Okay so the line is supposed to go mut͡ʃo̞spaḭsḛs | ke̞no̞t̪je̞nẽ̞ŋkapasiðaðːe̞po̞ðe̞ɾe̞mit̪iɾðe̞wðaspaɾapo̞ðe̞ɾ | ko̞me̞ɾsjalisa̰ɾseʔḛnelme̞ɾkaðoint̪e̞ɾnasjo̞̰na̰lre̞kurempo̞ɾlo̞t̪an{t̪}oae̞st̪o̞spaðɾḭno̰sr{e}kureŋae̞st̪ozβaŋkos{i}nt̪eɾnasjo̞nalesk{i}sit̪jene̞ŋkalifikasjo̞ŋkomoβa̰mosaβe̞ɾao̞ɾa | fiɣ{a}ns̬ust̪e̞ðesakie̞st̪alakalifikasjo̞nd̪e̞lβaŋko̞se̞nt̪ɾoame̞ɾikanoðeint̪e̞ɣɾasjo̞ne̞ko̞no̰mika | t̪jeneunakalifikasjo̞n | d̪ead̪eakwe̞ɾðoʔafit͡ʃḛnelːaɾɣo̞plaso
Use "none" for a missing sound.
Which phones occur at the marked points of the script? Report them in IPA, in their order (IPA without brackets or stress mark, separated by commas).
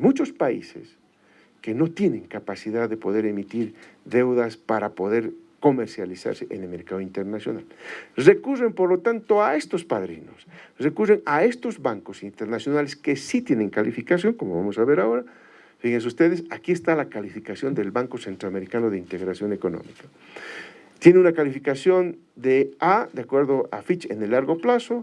t̪, e, i, e, e